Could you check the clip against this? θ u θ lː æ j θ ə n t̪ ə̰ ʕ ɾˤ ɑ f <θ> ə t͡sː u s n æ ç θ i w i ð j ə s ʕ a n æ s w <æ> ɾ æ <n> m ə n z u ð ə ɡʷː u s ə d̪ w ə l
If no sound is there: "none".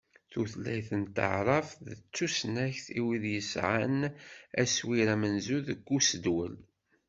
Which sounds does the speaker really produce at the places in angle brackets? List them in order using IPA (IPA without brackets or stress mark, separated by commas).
ð, i, none